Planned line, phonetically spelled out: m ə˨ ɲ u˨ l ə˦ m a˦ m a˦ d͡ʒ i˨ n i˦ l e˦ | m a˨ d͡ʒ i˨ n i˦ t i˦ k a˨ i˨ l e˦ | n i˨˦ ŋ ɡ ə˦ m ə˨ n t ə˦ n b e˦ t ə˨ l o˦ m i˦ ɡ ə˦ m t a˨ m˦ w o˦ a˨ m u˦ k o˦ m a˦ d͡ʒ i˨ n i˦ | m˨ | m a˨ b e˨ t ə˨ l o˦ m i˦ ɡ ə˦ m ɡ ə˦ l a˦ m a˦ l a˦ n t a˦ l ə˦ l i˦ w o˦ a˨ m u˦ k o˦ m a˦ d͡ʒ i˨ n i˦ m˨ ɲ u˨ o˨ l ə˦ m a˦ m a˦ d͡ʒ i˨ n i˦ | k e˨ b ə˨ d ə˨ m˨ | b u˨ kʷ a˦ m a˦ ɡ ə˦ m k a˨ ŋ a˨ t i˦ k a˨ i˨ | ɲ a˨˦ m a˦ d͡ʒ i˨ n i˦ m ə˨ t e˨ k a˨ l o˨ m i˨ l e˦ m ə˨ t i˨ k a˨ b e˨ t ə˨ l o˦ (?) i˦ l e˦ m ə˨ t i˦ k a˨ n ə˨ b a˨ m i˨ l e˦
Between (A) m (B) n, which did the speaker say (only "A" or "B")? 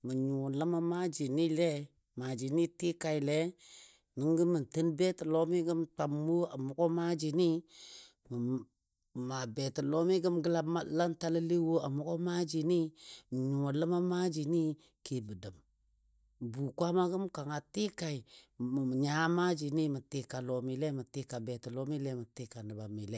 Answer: A